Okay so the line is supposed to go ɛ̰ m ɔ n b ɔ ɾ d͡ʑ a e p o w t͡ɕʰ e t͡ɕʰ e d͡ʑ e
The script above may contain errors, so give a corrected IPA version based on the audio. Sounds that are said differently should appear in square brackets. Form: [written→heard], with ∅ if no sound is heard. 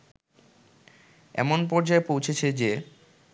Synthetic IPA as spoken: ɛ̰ m [ɔ→o] n [b→p] ɔ ɾ d͡ʑ a e p o w t͡ɕʰ e t͡ɕʰ e d͡ʑ e